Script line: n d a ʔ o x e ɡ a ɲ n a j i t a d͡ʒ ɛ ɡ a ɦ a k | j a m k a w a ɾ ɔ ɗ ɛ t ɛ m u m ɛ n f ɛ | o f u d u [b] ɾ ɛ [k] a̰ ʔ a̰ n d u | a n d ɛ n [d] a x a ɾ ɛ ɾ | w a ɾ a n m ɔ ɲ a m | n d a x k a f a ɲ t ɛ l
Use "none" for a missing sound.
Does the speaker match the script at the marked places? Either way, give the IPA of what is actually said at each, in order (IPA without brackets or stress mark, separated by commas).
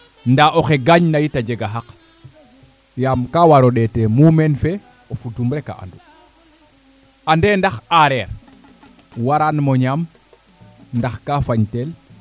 m, k, d